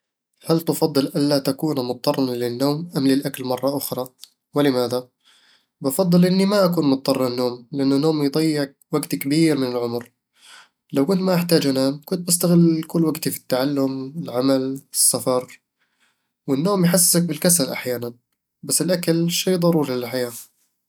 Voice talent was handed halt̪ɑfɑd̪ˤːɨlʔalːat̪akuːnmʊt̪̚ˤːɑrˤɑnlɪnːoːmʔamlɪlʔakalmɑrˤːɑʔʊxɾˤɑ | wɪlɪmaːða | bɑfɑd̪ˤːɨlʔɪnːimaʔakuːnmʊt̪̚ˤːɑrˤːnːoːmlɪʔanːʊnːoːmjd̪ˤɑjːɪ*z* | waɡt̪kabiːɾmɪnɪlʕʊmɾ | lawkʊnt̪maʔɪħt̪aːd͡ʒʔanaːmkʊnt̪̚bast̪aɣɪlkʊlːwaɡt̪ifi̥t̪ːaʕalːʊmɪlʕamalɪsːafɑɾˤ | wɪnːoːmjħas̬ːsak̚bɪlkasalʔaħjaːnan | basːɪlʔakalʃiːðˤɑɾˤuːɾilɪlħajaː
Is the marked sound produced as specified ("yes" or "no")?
no